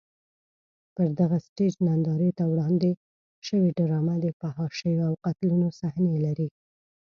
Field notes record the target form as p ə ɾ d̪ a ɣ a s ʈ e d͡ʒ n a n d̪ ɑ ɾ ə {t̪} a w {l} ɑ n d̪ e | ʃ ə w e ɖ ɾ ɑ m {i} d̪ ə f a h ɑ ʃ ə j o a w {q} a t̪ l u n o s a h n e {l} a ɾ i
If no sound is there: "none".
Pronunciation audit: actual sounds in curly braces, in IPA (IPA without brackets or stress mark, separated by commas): t̪, ɽ, a, q, l